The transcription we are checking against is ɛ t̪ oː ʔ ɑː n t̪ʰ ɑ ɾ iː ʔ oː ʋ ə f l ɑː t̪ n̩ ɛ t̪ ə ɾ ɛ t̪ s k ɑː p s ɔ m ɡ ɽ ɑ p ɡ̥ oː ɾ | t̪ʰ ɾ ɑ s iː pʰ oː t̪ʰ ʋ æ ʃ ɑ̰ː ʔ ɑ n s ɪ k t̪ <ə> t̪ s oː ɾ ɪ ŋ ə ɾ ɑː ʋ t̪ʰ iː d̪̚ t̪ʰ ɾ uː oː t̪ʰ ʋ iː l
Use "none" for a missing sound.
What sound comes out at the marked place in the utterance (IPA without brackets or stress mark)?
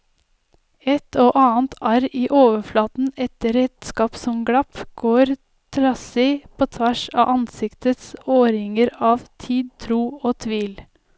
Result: ə